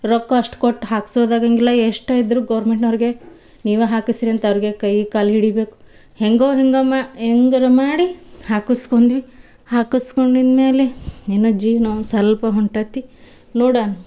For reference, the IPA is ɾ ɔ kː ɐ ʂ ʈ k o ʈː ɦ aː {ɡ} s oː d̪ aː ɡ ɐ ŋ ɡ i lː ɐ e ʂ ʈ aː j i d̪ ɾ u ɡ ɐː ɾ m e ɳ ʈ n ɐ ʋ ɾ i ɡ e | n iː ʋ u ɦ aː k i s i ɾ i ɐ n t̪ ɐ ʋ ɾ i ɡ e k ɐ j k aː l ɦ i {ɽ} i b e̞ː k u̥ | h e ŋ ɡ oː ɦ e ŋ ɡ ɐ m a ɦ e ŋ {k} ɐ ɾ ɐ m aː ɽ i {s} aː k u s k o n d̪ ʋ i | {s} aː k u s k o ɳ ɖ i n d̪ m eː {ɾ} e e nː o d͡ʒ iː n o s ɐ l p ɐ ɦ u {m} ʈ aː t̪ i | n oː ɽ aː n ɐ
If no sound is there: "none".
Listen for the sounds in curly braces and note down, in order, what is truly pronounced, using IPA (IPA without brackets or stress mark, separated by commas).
k, ɽ, ɡ, h, h, l, ɳ